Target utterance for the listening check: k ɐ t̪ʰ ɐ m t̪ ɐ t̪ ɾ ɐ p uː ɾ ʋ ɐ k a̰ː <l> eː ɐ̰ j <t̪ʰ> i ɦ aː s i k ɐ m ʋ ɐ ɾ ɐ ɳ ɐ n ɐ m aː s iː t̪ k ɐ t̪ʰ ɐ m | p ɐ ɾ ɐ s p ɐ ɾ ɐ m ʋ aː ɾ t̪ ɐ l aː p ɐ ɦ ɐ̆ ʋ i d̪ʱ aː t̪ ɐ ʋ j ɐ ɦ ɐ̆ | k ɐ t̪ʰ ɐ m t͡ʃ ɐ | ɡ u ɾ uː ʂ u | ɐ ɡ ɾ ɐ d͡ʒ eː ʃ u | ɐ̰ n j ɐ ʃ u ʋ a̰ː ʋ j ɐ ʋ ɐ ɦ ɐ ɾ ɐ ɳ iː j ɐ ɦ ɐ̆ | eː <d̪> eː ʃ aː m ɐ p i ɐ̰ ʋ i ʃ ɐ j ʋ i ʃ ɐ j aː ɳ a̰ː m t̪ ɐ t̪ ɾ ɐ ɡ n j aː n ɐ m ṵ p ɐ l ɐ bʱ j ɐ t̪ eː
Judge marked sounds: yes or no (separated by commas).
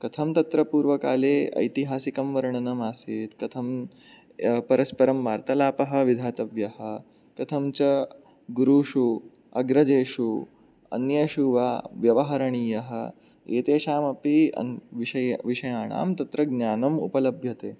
yes, no, no